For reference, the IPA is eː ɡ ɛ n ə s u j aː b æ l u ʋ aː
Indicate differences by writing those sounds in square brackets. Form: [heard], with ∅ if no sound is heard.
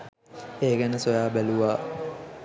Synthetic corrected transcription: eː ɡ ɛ n ə s [o] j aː b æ l u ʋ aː